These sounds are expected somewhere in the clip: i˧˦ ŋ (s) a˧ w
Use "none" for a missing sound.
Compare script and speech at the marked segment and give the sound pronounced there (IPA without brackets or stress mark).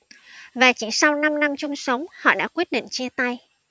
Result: s